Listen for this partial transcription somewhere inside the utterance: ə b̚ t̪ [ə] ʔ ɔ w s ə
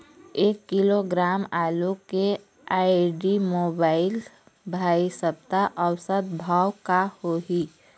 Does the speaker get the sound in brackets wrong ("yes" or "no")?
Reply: yes